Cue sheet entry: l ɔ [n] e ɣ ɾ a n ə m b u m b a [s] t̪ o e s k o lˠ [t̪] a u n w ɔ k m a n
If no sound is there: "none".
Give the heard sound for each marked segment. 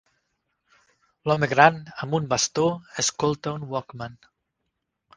m, s, t̪

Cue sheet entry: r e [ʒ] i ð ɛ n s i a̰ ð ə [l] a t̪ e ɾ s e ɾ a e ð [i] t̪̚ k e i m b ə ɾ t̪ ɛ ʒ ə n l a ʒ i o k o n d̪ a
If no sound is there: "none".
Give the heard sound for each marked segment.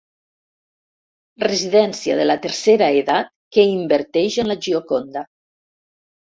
z, l, a

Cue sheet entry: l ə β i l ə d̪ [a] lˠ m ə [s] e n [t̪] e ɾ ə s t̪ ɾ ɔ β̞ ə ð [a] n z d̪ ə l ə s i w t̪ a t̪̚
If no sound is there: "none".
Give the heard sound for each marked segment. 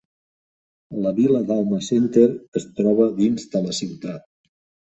a, s, t̪, i

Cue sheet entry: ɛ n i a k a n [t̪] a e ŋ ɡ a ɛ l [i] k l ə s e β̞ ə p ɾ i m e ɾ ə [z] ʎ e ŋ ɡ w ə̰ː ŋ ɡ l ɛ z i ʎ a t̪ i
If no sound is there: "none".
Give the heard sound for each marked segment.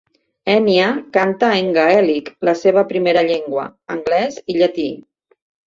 t̪, i, none

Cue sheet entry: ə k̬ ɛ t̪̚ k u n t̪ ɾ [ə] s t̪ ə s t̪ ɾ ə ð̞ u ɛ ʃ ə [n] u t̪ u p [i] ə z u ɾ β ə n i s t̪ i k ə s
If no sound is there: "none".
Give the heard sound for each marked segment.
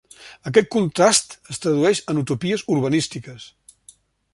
a, n, i

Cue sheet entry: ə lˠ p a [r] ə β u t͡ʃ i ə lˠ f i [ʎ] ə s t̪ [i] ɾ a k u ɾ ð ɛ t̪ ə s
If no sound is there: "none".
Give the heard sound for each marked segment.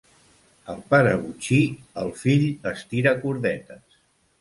ɾ, ʎ, i

